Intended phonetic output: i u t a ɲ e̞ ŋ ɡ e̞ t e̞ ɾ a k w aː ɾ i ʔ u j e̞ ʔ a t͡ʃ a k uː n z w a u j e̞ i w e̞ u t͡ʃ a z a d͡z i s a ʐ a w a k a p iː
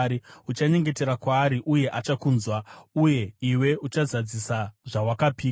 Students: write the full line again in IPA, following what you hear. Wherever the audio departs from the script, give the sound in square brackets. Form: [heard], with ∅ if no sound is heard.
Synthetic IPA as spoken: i u [t͡ʃ] a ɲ e̞ ŋ ɡ e̞ t e̞ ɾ a k w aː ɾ i ʔ u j e̞ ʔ a t͡ʃ a k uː n z w a u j e̞ i w e̞ u t͡ʃ a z a d͡z i s a ʐ a w a k a p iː